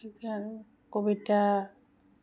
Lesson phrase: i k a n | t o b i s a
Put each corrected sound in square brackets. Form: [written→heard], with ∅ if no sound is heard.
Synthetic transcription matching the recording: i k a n | [t→k] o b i [s→t] a